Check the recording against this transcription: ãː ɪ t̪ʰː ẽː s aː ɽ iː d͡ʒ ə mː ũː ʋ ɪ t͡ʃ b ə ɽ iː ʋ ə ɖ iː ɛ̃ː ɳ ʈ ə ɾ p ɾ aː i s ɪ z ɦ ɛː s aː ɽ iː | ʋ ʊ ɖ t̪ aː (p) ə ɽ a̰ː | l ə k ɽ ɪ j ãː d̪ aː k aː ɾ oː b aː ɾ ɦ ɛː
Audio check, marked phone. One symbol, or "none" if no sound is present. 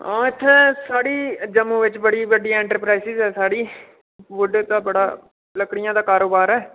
b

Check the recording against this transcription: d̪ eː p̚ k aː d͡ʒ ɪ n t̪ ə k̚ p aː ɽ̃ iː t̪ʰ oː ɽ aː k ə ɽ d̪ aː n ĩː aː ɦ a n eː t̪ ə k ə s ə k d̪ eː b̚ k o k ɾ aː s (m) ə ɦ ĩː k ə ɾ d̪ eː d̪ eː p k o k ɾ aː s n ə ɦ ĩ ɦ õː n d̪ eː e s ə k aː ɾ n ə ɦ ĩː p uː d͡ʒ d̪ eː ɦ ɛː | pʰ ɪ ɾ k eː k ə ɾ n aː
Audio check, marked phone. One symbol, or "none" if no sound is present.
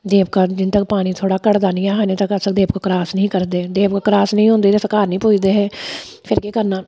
n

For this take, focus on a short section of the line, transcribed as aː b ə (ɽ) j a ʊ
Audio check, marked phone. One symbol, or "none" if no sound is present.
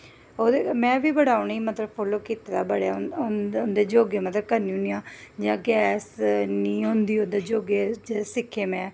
ɽ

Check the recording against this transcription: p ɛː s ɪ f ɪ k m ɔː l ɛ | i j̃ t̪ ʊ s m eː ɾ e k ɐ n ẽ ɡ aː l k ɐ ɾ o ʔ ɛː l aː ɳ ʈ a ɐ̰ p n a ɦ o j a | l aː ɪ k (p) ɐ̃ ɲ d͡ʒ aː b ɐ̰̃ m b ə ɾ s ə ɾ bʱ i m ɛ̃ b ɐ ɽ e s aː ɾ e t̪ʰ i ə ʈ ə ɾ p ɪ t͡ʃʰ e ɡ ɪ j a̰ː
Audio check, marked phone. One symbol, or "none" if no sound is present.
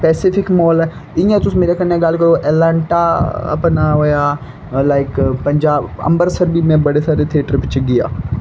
p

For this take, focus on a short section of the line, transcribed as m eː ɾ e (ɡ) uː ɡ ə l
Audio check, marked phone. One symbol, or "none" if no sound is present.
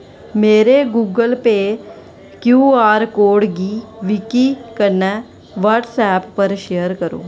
ɡ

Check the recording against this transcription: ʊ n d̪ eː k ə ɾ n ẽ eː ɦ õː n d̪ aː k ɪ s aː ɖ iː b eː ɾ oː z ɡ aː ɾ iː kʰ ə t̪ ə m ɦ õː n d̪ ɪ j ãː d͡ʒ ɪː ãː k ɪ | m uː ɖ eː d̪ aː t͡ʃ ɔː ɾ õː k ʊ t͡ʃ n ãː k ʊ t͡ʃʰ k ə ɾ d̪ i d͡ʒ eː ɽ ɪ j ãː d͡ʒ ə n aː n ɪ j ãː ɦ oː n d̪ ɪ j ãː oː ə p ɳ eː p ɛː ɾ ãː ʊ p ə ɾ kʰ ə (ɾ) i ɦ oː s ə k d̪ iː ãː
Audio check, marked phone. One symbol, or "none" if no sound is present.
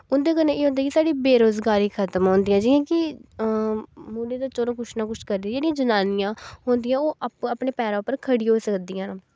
ɽ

